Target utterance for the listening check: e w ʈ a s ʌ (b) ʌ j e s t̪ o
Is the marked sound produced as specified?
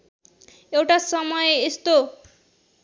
no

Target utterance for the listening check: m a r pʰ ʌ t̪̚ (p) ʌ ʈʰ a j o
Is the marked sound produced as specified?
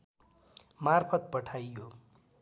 yes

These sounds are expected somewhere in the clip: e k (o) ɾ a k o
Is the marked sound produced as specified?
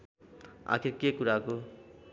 no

